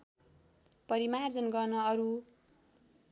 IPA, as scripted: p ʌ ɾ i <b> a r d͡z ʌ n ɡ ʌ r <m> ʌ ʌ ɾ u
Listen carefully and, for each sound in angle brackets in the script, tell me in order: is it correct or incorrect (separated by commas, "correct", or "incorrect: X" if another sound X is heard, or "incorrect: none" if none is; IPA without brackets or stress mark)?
incorrect: m, incorrect: n